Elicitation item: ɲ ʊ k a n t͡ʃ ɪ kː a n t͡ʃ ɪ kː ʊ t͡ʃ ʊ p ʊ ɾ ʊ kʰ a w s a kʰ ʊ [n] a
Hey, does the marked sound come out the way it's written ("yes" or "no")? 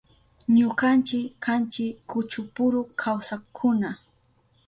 yes